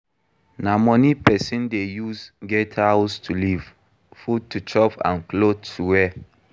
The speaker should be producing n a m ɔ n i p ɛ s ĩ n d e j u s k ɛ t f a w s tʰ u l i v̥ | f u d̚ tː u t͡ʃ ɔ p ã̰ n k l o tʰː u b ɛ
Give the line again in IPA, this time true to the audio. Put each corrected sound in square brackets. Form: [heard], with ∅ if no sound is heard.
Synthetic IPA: n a m ɔ n i p ɛ s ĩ n d e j u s [ɡ] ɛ t [h] a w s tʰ u l i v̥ | f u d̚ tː u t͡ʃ ɔ p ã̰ n k l o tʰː u [w] ɛ